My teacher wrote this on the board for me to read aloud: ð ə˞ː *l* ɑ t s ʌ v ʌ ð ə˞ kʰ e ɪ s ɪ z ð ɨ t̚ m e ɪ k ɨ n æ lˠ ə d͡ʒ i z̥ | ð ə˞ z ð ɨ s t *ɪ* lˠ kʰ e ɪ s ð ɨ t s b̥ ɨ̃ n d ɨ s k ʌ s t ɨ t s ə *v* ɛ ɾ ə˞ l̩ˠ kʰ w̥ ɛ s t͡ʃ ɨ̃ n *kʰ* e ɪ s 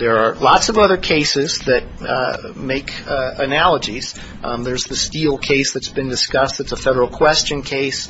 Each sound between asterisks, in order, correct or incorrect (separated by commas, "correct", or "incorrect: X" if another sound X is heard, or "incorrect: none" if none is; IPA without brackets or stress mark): correct, incorrect: i, incorrect: f, correct